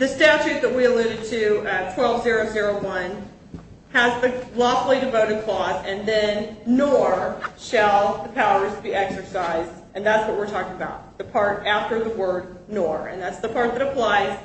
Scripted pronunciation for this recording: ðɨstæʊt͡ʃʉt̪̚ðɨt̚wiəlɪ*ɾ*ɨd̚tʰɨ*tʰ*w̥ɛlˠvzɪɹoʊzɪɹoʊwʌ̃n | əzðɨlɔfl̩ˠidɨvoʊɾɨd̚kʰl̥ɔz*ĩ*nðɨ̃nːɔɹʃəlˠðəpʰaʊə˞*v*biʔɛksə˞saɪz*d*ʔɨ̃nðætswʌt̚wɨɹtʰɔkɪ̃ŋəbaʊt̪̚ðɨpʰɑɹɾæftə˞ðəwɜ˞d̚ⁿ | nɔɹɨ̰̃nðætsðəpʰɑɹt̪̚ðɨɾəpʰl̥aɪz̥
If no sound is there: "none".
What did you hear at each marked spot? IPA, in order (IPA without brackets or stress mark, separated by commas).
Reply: ɾ, tʰ, ɨ̃, z, d